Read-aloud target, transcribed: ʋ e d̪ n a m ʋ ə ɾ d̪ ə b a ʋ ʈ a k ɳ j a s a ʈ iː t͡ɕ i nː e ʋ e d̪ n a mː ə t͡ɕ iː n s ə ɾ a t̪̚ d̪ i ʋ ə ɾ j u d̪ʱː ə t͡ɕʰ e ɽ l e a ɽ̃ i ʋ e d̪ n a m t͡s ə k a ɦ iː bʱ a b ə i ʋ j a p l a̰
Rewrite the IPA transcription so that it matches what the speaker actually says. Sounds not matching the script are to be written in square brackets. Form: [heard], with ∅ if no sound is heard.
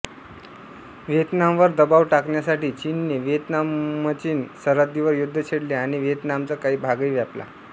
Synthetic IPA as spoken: ʋ e [t̪] n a m ʋ ə ɾ d̪ ə b a ʋ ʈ a k ɳ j a s a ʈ iː t͡ɕ i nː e ʋ e [t̪] n a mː ə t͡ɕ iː n s ə ɾ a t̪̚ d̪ i ʋ ə ɾ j u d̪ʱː ə t͡ɕʰ e ɽ l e a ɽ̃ i ʋ e [t̪] n a m t͡s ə k a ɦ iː bʱ a [ɡ] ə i ʋ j a p l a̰

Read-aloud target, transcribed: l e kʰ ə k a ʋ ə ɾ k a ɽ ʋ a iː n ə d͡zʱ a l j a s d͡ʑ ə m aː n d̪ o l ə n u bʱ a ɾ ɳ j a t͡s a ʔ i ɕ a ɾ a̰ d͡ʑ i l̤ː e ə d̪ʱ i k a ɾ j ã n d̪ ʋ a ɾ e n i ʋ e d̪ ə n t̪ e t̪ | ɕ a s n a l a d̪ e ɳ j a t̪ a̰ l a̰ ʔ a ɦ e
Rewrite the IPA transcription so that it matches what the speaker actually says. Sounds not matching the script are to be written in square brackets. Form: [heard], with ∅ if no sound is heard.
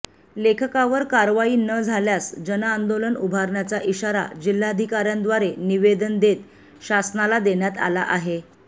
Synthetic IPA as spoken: l e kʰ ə k a ʋ ə ɾ k a [ɾ] ʋ a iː n ə d͡zʱ a l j a s d͡ʑ ə [n] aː n d̪ o l ə n u bʱ a ɾ ɳ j a t͡s a ʔ i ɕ a ɾ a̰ d͡ʑ i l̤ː [a] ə d̪ʱ i k a ɾ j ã n d̪ ʋ a ɾ e n i ʋ e d̪ ə n [d̪] e t̪ | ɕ a s n a l a d̪ e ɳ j a t̪ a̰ l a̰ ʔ a ɦ e

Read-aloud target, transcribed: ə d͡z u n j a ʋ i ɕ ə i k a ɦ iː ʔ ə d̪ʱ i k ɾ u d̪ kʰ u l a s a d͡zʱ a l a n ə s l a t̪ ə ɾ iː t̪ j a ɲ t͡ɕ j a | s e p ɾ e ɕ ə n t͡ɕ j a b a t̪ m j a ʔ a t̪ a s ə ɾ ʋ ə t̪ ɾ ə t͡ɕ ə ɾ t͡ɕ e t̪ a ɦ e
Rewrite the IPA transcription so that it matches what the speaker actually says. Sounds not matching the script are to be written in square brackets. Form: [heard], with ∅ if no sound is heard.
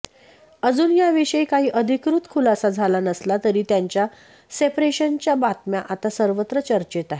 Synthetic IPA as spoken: ə d͡z [uː] n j a ʋ i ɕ ə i k a ɦ iː ʔ ə d̪ʱ i k ɾ u [t̪] kʰ u l a s a d͡zʱ a l a n ə s l a t̪ ə ɾ iː t̪ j a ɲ t͡ɕ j a | s e p ɾ e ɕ ə n t͡ɕ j a b a t̪ m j a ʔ a t̪ a s ə ɾ ʋ ə t̪ ɾ ə t͡ɕ ə ɾ t͡ɕ e t̪ a ɦ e

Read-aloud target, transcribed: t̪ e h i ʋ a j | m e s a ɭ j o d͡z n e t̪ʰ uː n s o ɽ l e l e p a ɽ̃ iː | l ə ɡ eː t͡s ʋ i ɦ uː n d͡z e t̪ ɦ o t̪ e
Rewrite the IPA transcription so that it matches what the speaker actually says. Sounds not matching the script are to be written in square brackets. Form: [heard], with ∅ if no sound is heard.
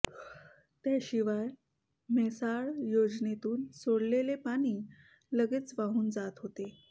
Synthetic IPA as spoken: t̪ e [ɕ] i ʋ a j | m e s a ɭ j o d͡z n e [t̪] uː n s o ɽ l e l e p a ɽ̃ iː | l ə ɡ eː t͡s ʋ [a] ɦ uː n d͡z [a] t̪ ɦ o t̪ e

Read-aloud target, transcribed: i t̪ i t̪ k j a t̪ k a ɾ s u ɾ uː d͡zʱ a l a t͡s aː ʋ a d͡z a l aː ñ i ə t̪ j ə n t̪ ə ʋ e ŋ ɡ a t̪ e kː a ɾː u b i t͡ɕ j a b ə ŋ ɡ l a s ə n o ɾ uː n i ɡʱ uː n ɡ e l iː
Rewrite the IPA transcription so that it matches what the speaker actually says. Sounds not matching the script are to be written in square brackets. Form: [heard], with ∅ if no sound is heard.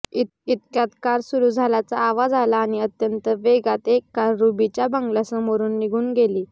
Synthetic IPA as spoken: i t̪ i t̪ k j a t̪ k a ɾ s u ɾ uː d͡zʱ a l a t͡s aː ʋ a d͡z a l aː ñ i ə t̪ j ə n t̪ ə ʋ e [∅] ɡ a t̪ e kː a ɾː u b i t͡ɕ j a b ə ŋ ɡ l a s ə [m] o ɾ uː [nː] i ɡʱ uː n ɡ e l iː

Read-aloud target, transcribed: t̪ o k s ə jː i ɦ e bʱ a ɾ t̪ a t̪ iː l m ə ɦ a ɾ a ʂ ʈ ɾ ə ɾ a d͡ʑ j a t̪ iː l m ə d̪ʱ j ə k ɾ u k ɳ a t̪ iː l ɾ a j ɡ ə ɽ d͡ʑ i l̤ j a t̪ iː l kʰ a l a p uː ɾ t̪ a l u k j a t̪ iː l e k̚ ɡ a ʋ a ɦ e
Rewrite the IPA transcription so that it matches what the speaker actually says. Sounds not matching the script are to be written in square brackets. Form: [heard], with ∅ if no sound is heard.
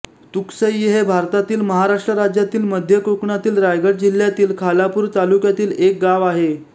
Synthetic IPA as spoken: t̪ [u] k s ə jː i ɦ e bʱ a ɾ t̪ a t̪ iː l m ə ɦ a ɾ a ʂ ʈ ɾ ə ɾ a d͡ʑ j a t̪ iː l m ə d̪ʱ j ə k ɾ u k ɳ a t̪ iː l ɾ a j ɡ ə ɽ d͡ʑ i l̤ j a t̪ iː l kʰ a l a p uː ɾ t̪ a l u k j a t̪ iː l e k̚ ɡ a ʋ a ɦ e

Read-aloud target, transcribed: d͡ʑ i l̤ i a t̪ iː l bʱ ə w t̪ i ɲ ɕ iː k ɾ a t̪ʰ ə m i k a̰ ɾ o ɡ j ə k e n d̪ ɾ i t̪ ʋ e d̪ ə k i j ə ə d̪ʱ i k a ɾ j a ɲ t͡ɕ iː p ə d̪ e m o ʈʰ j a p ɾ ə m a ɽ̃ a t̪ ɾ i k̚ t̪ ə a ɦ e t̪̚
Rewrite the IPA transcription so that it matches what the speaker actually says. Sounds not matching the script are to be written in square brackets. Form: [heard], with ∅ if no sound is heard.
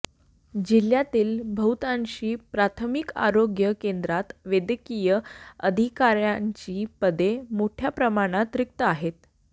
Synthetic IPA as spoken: d͡ʑ i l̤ [j] a t̪ iː l bʱ ə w t̪ [a] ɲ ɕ iː [p] ɾ a t̪ʰ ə m i k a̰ ɾ o ɡ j ə k e n d̪ ɾ [a] t̪ ʋ e d̪ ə k i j ə ə d̪ʱ i k a ɾ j a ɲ t͡ɕ iː p ə d̪ e m o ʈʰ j a p ɾ ə m a ɽ̃ a t̪ ɾ i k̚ t̪ ə a ɦ e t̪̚

